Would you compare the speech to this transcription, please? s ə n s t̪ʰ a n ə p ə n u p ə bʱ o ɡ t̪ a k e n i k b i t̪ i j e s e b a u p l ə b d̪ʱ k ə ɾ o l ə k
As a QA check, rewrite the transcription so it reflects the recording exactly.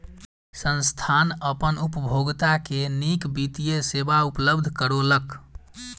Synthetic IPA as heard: s ə n s t̪ʰ a n ə p ə n u p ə bʱ o ɡ t̪ a k e n i k b i t̪ i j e s e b a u p l ə b d̪ʱ k ə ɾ o l ə k